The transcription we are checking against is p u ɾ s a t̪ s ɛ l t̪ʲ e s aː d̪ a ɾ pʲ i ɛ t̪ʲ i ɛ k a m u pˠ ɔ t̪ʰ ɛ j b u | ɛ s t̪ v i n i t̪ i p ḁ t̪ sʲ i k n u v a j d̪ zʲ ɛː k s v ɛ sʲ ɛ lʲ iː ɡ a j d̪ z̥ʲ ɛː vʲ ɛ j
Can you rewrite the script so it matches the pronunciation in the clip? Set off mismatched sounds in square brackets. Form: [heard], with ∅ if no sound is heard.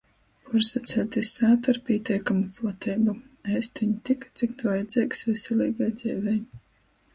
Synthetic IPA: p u ɾ s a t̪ s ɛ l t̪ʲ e s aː [t̪] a ɾ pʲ i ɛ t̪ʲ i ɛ k a m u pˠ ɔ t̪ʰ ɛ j b u | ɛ s t̪ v i [ɲ] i t̪ i [k] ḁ t̪ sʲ i k n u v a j d̪ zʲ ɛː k s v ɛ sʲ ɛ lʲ iː ɡ a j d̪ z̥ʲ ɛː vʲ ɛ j